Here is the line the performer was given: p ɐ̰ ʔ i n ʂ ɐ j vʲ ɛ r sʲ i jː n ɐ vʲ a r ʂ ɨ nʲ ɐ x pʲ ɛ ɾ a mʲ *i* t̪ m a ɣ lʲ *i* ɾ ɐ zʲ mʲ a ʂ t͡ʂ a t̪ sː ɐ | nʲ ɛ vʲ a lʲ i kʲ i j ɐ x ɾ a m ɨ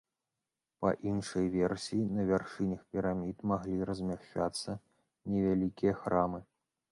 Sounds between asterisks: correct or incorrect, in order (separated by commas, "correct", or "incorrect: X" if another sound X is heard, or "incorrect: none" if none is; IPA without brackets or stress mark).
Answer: correct, correct